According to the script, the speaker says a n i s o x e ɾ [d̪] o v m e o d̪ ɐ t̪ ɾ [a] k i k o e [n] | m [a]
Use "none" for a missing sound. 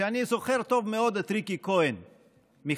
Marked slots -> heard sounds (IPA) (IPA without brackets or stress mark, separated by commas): t̪, i, n, i